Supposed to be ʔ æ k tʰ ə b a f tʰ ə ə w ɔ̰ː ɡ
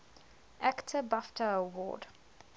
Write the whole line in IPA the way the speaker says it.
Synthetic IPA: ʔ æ k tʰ ə b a f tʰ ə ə w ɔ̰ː d